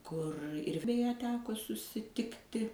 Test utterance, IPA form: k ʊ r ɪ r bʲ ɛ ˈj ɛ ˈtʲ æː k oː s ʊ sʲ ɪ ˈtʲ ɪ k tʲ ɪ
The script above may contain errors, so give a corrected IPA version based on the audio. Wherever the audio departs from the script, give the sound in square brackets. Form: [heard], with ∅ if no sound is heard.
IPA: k ʊ r ɪ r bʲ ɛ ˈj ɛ ˈtʲ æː k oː s ʊ sʲ ɪ ˈtʲ ɪ k tʲ ɪ